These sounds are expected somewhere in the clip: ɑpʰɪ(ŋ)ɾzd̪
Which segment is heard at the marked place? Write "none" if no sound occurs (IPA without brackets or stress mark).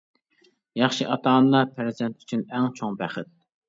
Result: none